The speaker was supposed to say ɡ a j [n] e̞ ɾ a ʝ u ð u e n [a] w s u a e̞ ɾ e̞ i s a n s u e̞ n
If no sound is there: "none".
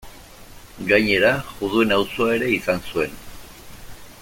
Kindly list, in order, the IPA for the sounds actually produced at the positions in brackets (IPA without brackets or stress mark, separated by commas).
ɲ, a